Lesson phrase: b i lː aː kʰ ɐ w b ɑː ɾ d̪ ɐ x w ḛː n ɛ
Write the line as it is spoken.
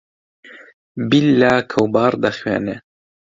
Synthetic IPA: b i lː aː kʰ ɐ w b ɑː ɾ d̪ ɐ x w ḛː n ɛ